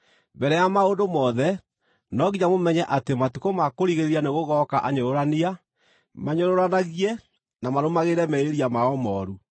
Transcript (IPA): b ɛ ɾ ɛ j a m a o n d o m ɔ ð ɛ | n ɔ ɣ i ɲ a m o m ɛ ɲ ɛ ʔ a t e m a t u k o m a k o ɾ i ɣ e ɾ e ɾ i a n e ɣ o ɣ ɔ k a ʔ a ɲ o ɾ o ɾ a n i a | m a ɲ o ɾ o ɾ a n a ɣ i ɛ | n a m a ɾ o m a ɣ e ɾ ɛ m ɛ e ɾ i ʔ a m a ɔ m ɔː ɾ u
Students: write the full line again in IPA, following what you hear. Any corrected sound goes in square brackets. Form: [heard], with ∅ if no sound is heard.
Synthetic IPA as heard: b ɛ ɾ ɛ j a m a o n d o m ɔ ð ɛ | n ɔ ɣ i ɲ a m o m ɛ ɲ ɛ ʔ a t e m a t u k o m a k o ɾ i ɣ e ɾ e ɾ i a n e ɣ o ɣ ɔ k a ʔ a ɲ o ɾ o ɾ a n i a | m a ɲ o ɾ o ɾ a n a ɣ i ɛ | n a m a ɾ o m a ɣ e ɾ ɛ m ɛ e ɾ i [∅] a m a ɔ m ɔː ɾ u